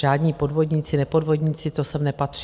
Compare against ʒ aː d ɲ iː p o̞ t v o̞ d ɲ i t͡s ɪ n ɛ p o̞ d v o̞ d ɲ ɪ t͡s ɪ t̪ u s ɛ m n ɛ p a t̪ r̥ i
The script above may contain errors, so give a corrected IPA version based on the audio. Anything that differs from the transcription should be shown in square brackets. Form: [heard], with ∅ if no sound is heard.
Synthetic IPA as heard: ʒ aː d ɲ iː p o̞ [d] v o̞ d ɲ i t͡s ɪ n ɛ p o̞ d v o̞ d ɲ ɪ t͡s ɪ t̪ [o] s ɛ m n ɛ p a t̪ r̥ i